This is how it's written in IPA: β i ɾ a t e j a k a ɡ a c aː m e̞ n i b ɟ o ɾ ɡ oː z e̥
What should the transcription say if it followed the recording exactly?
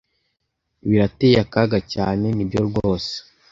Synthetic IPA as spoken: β i ɾ a t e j a k a ɡ a c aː n e̞ n i b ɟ o ɾ ɡ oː s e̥

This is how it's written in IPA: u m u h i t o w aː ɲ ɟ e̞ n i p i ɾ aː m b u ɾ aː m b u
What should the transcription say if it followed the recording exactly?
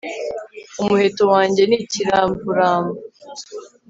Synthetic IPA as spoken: u m u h e t o w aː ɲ ɟ e̞ n i c i ɾ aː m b u ɾ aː m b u

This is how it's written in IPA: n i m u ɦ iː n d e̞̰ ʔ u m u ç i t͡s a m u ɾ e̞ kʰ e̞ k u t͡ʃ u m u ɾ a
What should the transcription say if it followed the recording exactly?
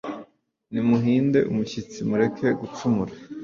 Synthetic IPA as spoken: n i m u ɦ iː n d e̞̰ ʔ u m u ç i t͡s i m u ɾ e̞ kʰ e̞ ɡ u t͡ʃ u m u ɾ a

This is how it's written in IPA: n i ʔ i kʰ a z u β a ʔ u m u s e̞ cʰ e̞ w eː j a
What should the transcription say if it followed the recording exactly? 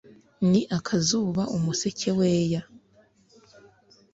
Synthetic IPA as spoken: n i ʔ a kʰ a z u β a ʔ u m u s e̞ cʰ e̞ w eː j a

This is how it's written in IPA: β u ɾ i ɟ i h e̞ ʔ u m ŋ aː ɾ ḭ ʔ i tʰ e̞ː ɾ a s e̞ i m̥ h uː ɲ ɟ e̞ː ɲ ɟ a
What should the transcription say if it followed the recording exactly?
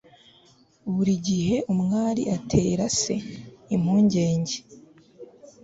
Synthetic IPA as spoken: β u ɾ i ɟ i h e̞ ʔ u m ŋ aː ɾ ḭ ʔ a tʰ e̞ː ɾ a s e̞ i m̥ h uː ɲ ɟ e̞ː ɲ ɟ e

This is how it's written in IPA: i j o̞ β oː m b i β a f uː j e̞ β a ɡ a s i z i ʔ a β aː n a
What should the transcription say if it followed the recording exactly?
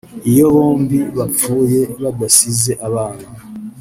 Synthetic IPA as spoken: i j o̞ β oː m b i β a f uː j e̞ β a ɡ a s i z e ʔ a β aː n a

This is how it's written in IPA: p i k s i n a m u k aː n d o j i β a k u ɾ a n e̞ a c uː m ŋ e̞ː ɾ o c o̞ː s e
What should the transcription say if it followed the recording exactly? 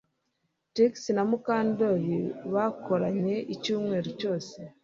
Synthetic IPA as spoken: t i k s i n a m u k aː n d o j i β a k o ɾ a ɲ e̞ i c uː m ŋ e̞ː ɾ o c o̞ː s e

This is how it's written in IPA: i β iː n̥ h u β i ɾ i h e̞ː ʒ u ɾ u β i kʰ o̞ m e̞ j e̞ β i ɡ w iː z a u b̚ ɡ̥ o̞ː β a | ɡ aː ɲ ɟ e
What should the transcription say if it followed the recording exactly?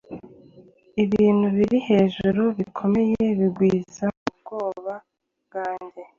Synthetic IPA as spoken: i β iː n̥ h u β i ɾ i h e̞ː ʒ u ɾ u β i kʰ o̞ m e̞ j e̞ β i ɡ w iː z a u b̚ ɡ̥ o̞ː β a | ɡ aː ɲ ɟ e

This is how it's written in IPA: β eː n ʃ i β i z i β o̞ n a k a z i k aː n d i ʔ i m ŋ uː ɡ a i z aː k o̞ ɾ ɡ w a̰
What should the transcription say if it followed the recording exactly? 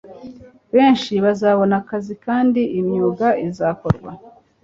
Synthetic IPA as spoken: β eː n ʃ i β a z a β o̞ n a k a z i k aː n d i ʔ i m ɲ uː ɡ a i z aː k o̞ ɾ ɡ w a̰

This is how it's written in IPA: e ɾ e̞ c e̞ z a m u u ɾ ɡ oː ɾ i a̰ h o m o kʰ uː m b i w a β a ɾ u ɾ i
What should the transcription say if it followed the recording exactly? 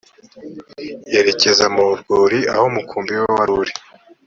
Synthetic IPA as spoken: e ɾ e̞ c e̞ z a m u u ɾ ɡ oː ɾ i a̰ h o m u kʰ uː m b i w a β a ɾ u ɾ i

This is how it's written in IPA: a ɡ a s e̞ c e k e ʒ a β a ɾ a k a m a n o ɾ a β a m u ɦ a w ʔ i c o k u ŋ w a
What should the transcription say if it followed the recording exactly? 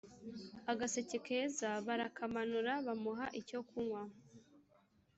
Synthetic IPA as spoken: a ɡ a s e̞ c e k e z a β a ɾ a k a m a n u ɾ a β a m u ɦ a ʔ i c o k u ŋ w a

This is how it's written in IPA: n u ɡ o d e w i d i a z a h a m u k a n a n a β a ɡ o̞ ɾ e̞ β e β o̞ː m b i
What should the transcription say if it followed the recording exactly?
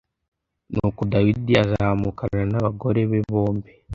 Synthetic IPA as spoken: n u k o d a w i d i a z a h a m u k a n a n a β a ɡ o̞ ɾ e̞ β e β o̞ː m b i

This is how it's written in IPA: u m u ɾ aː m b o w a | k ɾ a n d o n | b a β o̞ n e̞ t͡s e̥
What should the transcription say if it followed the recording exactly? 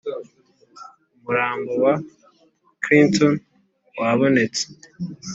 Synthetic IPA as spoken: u m u ɾ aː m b o w a | k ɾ i n t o n | w a β o̞ n e̞ t͡s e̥

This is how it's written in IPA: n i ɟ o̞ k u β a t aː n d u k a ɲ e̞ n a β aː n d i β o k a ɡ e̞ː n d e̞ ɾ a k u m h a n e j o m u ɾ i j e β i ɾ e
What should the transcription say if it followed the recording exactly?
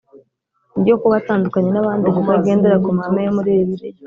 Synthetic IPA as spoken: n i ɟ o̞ k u β a t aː n d u k a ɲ e̞ n a β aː n d i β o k a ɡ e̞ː n d e̞ ɾ a k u m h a m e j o m u ɾ i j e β i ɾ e

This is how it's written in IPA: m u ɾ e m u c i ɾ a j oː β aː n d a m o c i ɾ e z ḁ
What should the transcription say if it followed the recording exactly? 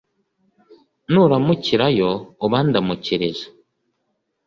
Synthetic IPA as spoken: n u ɾ a m u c i ɾ a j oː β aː n d a m u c i ɾ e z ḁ

